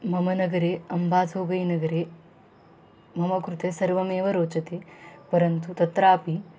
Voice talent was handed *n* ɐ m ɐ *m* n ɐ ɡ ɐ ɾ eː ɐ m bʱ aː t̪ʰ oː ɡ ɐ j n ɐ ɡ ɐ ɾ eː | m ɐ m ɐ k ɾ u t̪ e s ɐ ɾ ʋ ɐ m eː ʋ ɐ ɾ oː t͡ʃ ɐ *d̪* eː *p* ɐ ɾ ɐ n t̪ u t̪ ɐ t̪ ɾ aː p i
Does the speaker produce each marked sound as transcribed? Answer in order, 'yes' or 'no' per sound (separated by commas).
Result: no, no, no, yes